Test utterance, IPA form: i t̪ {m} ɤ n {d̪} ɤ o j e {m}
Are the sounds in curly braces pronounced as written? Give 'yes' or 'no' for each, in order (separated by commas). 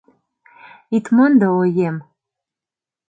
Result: yes, yes, yes